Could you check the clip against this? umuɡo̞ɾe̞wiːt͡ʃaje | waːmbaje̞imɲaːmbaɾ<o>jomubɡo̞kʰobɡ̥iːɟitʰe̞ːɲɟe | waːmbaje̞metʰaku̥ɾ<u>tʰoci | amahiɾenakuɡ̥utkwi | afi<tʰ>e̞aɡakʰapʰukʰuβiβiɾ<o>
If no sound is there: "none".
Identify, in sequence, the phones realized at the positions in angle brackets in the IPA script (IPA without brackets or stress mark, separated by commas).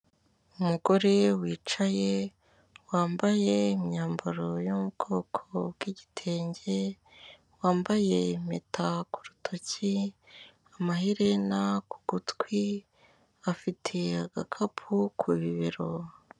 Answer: o, u, tʰ, o